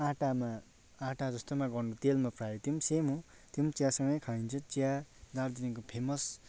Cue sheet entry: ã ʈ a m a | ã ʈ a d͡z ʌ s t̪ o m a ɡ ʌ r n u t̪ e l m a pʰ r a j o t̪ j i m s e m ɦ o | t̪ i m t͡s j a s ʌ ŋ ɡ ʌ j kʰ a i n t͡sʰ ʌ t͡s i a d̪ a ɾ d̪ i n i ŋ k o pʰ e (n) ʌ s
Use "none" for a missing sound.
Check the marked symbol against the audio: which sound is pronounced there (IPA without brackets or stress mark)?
m